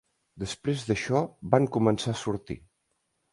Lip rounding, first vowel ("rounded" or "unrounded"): unrounded